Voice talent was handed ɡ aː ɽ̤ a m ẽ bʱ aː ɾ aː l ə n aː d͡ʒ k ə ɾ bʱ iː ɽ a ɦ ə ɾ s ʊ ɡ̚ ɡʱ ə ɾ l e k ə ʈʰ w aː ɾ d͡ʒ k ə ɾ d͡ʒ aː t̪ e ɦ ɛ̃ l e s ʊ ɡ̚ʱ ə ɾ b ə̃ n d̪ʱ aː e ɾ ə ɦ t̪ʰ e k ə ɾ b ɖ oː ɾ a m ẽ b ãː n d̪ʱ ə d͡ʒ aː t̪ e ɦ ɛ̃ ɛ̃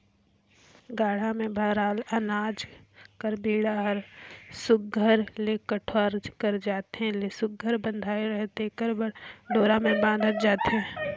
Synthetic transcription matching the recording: ɡ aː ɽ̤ a m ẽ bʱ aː ɾ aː l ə n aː d͡ʒ k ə ɾ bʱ iː ɽ a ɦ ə ɾ s ʊ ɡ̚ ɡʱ ə ɾ l e k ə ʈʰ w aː ɾ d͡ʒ k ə ɾ d͡ʒ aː t̪ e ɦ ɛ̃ l e s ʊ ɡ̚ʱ ə ɾ b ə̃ n d̪ʱ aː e ɾ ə ɦ t̪ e k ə ɾ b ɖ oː ɾ a m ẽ b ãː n d̪ʱ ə d͡ʒ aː t̪ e ɦ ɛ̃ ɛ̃